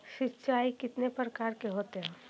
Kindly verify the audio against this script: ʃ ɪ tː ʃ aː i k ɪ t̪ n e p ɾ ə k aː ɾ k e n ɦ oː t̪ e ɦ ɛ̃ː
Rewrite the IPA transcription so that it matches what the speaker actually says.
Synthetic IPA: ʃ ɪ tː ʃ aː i k ɪ t̪ n e p ɾ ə k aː ɾ k e ɦ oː t̪ e ɦ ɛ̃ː